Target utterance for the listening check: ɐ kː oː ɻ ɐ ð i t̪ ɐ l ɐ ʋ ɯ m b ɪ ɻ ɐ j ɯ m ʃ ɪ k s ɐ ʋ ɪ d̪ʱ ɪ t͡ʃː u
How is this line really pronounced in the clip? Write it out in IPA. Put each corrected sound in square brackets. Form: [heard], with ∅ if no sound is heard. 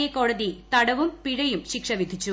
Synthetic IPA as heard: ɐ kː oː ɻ ɐ ð i t̪ ɐ [ɽ] ɐ ʋ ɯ m [p] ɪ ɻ ɐ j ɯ m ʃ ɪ k [ʂ] ɐ ʋ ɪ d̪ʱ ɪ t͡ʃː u

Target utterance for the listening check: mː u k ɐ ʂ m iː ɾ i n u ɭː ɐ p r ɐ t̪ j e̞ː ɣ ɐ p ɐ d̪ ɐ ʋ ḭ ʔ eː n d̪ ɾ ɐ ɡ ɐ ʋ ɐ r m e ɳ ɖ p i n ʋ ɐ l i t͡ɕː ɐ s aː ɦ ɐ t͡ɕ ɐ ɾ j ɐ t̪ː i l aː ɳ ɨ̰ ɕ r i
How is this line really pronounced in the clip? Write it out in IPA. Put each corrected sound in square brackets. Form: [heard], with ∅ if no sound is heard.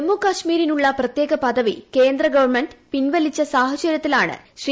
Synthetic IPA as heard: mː u k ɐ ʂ m iː ɾ i n u ɭː ɐ p r ɐ t̪ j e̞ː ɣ ɐ p ɐ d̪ ɐ ʋ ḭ [k] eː n d̪ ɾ ɐ ɡ ɐ ʋ ɐ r m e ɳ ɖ p i n ʋ ɐ l i t͡ɕː ɐ s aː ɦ ɐ t͡ɕ ɐ ɾ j ɐ t̪ː i l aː ɳ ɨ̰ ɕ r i

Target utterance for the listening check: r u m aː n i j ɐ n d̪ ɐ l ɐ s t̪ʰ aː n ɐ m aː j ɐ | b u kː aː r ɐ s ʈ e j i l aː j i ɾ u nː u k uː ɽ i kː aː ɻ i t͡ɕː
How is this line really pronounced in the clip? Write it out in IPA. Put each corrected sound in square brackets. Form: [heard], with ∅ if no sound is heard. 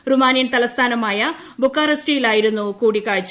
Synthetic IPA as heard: r u m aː n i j ɐ n [t̪] ɐ l ɐ s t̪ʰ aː n ɐ m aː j ɐ | b u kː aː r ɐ s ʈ [i] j i l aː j i ɾ u nː u k uː ɽ i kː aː ɻ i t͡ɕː

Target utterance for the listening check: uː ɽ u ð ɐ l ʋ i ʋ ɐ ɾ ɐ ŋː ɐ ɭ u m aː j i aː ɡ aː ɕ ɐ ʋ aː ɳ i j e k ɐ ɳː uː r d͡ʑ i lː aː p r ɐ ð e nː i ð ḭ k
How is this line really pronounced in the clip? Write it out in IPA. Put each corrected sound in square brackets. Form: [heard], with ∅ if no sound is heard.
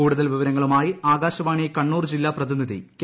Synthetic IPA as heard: uː ɽ u ð ɐ l ʋ i ʋ ɐ ɾ ɐ ŋː ɐ ɭ u m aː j i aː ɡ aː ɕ ɐ ʋ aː ɳ i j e k ɐ ɳː uː r d͡ʑ i lː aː p r ɐ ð [i] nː i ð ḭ k

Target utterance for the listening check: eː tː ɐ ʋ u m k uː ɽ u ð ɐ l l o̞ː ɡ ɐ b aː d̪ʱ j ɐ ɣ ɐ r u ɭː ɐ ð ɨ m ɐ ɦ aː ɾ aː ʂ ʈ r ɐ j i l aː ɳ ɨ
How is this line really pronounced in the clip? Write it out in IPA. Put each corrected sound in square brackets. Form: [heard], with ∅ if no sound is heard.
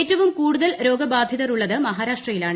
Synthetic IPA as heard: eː tː ɐ ʋ u m k uː ɽ u ð ɐ l [ɾ] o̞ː ɡ ɐ b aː d̪ʱ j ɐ [ð] ɐ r u ɭː ɐ ð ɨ m ɐ ɦ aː ɾ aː ʂ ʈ r ɐ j i l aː ɳ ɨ

